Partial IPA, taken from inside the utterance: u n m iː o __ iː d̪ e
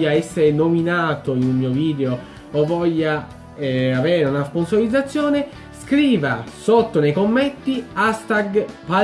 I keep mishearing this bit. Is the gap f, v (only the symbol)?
v